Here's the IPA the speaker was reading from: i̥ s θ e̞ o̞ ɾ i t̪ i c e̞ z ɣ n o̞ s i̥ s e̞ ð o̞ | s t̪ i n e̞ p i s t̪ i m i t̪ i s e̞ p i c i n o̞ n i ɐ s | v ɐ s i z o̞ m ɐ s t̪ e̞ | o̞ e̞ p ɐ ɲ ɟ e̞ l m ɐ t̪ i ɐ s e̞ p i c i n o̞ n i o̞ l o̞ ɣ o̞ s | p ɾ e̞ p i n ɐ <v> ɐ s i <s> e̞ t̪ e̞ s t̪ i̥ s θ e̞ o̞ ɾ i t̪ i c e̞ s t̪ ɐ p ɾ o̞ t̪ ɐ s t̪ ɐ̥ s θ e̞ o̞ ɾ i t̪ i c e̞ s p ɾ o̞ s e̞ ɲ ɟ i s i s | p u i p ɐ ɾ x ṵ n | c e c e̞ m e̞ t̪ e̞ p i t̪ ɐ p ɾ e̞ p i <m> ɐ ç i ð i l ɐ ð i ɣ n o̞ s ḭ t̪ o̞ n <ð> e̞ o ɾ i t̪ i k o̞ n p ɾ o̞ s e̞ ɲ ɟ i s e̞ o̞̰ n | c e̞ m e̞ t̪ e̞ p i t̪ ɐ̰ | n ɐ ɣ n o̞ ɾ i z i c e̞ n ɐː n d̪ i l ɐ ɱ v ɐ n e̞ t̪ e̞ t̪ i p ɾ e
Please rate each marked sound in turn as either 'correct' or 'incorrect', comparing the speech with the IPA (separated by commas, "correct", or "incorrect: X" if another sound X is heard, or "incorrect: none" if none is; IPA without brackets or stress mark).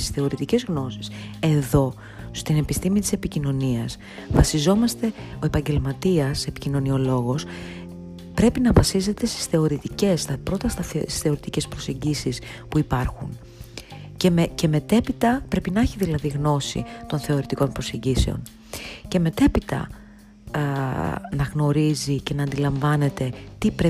correct, incorrect: z, incorrect: n, incorrect: θ